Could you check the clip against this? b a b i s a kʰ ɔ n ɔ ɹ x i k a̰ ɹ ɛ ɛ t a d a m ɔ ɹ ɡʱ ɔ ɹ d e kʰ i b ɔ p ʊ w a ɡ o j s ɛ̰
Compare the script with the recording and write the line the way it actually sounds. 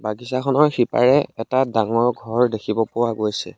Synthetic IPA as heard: b a ɡ i s a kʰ ɔ n ɔ ɹ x i p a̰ ɹ ɛ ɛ t a d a ŋ ɔ ɹ ɡʱ ɔ ɹ d e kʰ i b ɔ p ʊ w a ɡ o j s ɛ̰

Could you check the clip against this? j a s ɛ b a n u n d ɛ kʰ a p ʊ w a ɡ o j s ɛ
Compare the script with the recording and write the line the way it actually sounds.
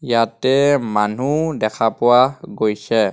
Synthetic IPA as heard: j a t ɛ m a n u d ɛ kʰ a p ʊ w a ɡ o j s ɛ

